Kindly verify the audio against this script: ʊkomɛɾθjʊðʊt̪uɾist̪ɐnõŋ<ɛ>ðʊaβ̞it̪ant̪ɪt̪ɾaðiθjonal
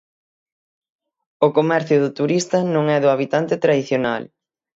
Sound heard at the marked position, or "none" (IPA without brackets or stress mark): ɛ